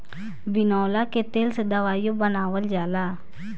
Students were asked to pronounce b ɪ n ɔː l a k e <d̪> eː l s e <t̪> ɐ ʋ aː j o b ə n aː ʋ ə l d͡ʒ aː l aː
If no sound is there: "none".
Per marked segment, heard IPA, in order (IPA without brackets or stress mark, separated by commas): t̪, d̪